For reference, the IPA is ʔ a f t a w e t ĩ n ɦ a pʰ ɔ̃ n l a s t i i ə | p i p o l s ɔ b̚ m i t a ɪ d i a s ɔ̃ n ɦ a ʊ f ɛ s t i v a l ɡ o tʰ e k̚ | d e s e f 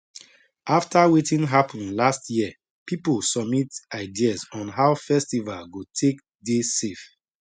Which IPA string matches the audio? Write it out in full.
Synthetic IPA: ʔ a f t a w e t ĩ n ɦ a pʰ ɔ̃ n l a s t j i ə | p i p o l s ɔ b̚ m i t a ɪ d i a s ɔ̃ n ɦ a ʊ f ɛ s t i v a l ɡ o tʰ e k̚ | d e s e f